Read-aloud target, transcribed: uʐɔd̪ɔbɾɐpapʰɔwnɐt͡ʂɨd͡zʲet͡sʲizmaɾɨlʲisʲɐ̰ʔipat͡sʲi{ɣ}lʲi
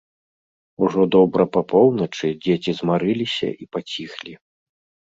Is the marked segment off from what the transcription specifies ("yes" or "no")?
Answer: yes